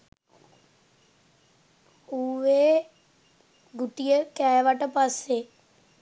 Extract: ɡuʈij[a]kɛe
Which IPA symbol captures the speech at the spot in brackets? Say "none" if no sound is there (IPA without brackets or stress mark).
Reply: ə